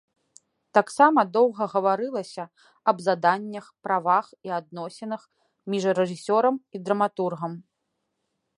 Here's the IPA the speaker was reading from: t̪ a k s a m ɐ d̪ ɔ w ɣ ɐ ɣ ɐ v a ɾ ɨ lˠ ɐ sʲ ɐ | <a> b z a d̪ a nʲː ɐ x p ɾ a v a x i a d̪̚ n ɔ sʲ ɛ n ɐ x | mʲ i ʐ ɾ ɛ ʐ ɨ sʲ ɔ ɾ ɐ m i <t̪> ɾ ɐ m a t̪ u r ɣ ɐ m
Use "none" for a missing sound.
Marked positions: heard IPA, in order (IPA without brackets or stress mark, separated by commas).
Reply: ɐ, d̪